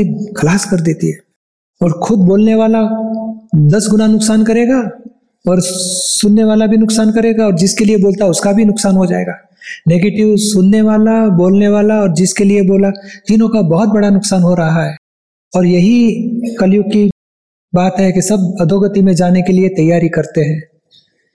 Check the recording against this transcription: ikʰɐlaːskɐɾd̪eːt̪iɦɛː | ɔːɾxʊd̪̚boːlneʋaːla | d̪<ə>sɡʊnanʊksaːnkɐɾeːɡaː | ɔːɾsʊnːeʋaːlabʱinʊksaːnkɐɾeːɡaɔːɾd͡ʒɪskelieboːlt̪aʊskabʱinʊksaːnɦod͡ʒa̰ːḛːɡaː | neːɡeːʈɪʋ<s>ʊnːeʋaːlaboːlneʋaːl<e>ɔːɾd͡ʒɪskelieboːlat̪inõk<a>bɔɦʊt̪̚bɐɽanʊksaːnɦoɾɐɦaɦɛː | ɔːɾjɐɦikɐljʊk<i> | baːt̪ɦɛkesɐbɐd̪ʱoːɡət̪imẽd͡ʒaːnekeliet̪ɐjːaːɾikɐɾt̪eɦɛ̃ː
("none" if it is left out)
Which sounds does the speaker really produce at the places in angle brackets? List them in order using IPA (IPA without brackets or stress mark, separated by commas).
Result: ɐ, s, a, a, i